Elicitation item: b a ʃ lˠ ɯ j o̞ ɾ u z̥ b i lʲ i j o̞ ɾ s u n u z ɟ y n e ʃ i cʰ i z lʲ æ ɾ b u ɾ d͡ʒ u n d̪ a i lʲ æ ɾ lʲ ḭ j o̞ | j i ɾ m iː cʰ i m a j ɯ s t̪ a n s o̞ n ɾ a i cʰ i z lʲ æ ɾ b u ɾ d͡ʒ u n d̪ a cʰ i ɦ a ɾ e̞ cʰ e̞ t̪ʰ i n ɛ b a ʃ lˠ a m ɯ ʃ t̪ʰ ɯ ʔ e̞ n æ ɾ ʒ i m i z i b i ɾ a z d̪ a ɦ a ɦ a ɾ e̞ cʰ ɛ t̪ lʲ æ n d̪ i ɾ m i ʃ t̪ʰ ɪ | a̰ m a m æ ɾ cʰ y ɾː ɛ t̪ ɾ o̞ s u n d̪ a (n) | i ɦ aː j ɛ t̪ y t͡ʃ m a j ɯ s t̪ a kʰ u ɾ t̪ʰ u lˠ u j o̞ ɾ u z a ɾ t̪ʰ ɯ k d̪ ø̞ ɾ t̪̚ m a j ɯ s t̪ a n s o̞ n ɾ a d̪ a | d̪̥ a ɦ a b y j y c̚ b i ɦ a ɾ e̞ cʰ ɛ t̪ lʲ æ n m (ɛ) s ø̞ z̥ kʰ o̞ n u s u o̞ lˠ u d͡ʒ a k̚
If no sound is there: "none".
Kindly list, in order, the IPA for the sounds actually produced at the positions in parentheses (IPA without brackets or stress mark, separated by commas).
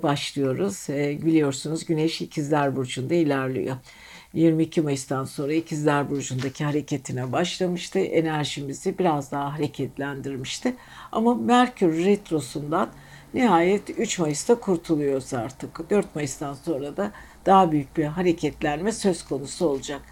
nː, ɛ